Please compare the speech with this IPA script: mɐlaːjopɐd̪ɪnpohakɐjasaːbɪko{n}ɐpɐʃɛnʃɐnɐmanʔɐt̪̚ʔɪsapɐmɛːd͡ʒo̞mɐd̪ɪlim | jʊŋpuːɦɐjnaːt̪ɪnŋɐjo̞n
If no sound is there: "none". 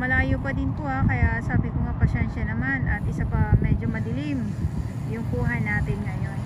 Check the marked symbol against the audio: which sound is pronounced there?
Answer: ŋ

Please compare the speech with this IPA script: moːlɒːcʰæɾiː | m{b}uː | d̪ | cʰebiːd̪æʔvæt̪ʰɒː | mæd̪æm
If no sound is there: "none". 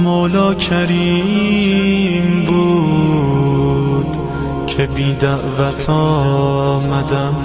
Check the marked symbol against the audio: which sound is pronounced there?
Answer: b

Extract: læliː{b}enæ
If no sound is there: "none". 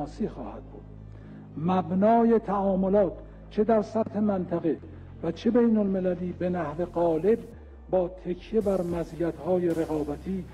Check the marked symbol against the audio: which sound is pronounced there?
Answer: b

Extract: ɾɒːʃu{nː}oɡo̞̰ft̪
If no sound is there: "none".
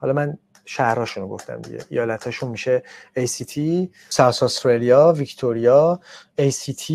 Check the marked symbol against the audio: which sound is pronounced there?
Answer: n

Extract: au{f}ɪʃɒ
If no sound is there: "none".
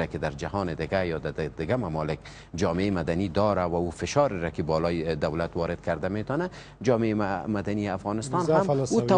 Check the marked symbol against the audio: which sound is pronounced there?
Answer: f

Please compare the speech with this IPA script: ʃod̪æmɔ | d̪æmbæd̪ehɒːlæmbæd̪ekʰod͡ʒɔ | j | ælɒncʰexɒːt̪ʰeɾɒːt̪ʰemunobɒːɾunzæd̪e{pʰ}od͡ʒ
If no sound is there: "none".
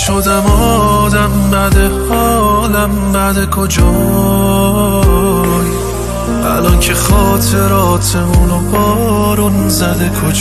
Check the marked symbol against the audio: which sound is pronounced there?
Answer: kʰ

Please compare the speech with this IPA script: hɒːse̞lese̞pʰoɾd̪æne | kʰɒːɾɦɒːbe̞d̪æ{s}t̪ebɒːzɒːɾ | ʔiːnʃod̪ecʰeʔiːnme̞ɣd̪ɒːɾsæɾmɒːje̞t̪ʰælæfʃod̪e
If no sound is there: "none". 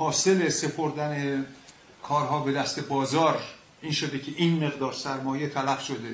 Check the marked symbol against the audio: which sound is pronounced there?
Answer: s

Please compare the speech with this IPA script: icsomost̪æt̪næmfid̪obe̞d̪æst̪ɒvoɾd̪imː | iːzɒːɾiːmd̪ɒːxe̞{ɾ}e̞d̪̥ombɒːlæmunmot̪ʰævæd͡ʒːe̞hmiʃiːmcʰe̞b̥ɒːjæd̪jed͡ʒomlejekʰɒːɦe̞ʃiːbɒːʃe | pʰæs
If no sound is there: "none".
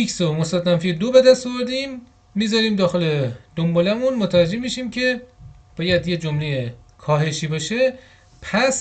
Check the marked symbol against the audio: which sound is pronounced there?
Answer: l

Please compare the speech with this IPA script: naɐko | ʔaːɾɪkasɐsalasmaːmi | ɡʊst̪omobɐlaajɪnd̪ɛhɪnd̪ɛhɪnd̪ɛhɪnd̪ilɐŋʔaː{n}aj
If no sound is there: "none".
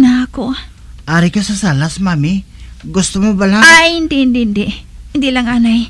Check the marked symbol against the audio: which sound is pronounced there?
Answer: n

